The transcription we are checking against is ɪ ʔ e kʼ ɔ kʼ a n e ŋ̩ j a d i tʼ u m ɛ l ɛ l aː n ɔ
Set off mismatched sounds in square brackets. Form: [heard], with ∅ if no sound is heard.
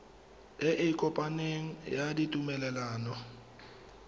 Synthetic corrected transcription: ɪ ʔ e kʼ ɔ [pʼ] a n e ŋ̩ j a d i tʼ u m ɛ l ɛ l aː n ɔ